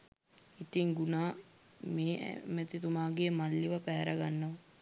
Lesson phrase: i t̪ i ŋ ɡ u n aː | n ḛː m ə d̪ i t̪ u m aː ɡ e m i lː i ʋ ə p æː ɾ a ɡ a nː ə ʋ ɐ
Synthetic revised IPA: i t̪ i ŋ ɡ u n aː | m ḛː m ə t̪ i t̪ u m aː ɡ e m a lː i ʋ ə p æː ɾ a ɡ a nː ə ʋ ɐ